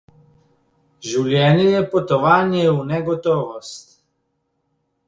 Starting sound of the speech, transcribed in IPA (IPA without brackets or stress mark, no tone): ʒ